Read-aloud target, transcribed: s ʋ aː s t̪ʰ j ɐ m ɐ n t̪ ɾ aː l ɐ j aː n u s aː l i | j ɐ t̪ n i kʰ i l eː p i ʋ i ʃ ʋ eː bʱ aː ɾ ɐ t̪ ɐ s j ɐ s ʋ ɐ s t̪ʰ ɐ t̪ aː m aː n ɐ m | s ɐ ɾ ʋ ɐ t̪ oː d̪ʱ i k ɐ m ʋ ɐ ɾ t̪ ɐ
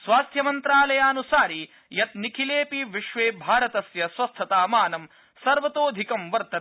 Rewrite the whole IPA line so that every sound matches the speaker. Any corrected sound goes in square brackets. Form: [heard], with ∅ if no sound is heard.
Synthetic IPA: s ʋ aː s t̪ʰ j ɐ m ɐ n t̪ ɾ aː l ɐ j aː n u s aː [ɾ] i | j ɐ t̪ n i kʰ i l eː p i ʋ i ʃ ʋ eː bʱ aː ɾ ɐ t̪ ɐ s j ɐ s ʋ ɐ s t̪ʰ ɐ t̪ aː m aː n ɐ m | s ɐ ɾ ʋ ɐ t̪ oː d̪ʱ i k ɐ m ʋ ɐ ɾ t̪ ɐ